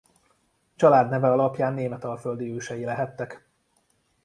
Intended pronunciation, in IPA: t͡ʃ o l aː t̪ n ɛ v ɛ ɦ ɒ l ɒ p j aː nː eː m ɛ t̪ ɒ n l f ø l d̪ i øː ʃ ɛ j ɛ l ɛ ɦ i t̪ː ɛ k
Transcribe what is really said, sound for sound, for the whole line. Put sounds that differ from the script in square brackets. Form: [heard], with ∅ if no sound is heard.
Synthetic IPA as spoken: t͡ʃ [ɒ] l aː [d̪] n ɛ v ɛ [∅] ɒ l ɒ p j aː nː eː m ɛ t̪ ɒ [∅] l f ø l d̪ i øː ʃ ɛ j [i] l ɛ ɦ [ɛ] t̪ː ɛ k

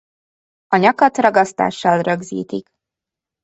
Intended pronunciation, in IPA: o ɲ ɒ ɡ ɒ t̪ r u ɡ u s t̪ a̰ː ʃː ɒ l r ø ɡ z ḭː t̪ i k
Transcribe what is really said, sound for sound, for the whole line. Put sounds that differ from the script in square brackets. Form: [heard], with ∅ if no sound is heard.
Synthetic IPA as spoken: [ɒ] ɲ ɒ [k] ɒ t̪ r [ɒ] ɡ [ɒ] s t̪ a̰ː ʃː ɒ l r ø ɡ z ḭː t̪ i k

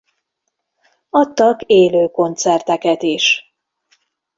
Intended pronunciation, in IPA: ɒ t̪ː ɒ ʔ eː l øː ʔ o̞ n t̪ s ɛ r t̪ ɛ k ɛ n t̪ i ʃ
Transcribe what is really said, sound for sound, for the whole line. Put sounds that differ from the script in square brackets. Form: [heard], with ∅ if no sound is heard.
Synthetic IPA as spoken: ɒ t̪ː ɒ [k] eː l øː [k] o̞ n t̪ s ɛ r t̪ ɛ k ɛ [∅] t̪ i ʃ

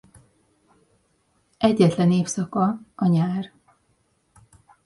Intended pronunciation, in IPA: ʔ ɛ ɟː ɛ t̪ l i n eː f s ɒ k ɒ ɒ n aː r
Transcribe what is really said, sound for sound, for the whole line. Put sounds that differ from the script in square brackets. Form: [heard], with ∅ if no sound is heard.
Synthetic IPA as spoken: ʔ ɛ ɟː ɛ t̪ l [ɛ] n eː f s ɒ k ɒ ɒ [ɲ] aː r

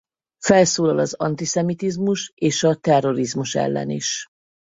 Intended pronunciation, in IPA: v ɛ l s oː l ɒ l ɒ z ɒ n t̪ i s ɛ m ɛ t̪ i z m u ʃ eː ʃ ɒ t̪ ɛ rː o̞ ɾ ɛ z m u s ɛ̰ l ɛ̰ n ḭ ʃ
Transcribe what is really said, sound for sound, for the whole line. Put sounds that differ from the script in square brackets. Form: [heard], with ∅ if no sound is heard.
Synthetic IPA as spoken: [f] ɛ l s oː l ɒ l ɒ z ɒ n t̪ i s ɛ m [i] t̪ i z m u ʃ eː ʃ ɒ t̪ ɛ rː o̞ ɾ [i] z m u [ʃ] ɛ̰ [lː] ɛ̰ n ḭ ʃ

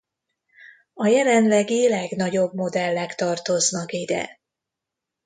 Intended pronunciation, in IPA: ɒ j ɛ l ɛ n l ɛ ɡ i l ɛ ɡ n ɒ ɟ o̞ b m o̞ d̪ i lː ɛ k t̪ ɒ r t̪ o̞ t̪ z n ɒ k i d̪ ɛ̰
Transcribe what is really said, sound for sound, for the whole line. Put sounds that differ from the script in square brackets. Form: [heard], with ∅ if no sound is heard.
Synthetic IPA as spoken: ɒ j ɛ l ɛ n l ɛ ɡ i l ɛ ɡ n ɒ ɟ o̞ b m o̞ d̪ [ɛ] lː ɛ k t̪ ɒ r t̪ o̞ [∅] z n ɒ k i d̪ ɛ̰

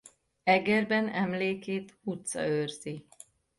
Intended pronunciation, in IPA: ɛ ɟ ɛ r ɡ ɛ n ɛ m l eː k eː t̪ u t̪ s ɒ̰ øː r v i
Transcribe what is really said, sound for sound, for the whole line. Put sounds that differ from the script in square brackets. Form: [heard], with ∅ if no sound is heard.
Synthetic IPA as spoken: ɛ [ɡ] ɛ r [b] ɛ n ɛ m l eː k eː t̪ u t̪ s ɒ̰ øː r [z] i

